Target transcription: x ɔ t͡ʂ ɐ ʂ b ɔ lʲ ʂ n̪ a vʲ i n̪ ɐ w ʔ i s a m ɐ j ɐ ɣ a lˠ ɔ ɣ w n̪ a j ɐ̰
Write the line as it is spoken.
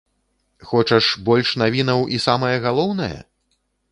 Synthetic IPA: x ɔ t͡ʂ ɐ ʂ b ɔ lʲ ʂ n̪ a vʲ i n̪ ɐ w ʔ i s a m ɐ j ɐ ɣ a lˠ ɔ w n̪ ɐ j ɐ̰

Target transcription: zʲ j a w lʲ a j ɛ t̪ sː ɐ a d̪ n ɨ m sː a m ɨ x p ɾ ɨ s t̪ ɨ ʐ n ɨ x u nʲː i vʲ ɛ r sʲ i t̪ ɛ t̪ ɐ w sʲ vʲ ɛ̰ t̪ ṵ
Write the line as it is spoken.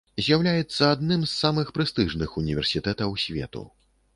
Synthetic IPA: zʲ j a w lʲ a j ɛ t̪ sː ɐ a d̪ n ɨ m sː a m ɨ x p ɾ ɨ s t̪ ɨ ʐ n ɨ x u nʲ i vʲ ɛ r sʲ i t̪ ɛ t̪ ɐ w sʲ vʲ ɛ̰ t̪ ṵ

